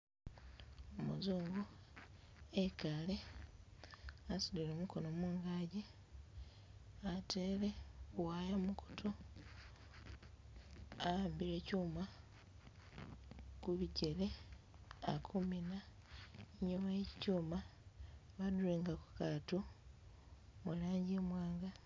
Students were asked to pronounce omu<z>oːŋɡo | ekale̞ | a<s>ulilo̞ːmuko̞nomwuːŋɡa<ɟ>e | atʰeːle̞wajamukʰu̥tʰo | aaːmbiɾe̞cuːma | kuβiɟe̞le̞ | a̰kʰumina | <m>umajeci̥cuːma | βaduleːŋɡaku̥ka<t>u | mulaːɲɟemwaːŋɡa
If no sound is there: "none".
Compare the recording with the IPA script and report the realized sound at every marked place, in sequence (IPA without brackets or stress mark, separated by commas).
z, s, ɟ, ɲ, t